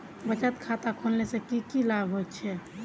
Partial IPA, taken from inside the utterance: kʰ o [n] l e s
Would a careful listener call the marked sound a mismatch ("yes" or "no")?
no